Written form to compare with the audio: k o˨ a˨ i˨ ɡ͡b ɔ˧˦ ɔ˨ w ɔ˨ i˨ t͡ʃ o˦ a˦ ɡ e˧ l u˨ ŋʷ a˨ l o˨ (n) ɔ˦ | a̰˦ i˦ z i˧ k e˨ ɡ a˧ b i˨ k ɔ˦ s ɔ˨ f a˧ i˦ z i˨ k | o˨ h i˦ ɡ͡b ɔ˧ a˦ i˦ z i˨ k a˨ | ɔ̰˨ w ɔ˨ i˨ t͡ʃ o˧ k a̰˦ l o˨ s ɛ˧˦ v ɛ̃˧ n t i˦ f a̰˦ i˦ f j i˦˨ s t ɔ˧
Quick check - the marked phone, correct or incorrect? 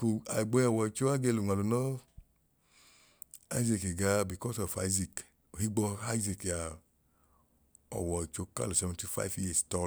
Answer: correct